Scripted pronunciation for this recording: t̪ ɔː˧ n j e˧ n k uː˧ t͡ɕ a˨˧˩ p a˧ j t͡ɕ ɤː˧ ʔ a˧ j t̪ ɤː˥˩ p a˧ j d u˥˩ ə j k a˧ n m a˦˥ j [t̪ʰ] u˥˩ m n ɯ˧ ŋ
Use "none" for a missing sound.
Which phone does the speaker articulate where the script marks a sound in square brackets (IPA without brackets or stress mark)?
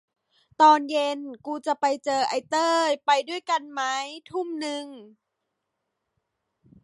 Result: t̪ʰ